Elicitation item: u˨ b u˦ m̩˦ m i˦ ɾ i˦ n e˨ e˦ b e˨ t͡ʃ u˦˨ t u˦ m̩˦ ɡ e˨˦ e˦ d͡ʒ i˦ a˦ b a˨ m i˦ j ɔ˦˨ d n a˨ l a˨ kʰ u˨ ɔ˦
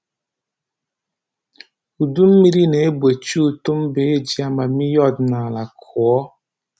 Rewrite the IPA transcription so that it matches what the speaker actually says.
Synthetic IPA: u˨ d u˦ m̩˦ m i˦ ɾ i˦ n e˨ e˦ b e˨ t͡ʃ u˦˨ t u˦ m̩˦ b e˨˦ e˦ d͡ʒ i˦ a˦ m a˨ m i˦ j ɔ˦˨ d n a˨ l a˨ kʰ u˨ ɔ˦